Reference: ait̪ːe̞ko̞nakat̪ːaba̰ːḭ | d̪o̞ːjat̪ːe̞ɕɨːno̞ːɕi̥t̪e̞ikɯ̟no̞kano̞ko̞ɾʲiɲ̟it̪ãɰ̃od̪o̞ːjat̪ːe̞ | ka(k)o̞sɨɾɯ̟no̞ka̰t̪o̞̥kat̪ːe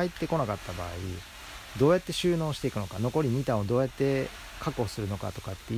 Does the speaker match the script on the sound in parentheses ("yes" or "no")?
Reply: yes